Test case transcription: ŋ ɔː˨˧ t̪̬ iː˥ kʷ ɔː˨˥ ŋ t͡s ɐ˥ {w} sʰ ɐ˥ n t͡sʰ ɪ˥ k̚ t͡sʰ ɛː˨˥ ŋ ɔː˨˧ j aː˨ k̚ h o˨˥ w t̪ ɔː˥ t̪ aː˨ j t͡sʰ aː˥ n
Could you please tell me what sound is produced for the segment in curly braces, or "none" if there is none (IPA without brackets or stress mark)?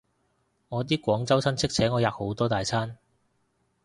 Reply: w